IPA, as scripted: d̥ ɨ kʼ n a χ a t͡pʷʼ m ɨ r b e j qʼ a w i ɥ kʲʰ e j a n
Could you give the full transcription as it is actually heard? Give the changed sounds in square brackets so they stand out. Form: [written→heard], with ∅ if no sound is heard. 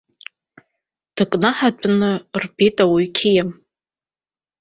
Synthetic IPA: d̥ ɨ kʼ n a [χ→ħ] a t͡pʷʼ [m→n] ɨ r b e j [qʼ→tʼ] a w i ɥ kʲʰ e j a [n→m]